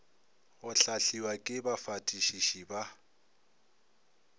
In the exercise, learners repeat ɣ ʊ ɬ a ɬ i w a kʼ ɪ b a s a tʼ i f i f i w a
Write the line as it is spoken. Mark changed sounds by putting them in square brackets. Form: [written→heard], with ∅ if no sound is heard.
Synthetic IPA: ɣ ʊ ɬ a ɬ i w a kʼ ɪ b a [s→f] a tʼ i [f→ʃ] i [f→ʃ] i [w→b] a